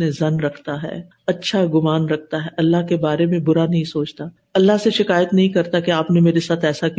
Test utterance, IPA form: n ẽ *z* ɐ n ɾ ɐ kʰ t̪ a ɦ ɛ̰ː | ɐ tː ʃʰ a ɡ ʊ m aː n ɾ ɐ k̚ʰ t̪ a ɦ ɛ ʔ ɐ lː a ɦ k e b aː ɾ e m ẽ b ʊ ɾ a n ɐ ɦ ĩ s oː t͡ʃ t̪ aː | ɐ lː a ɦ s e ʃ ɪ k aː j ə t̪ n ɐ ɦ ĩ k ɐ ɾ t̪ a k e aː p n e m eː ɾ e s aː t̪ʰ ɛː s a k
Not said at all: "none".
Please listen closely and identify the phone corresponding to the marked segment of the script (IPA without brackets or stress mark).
z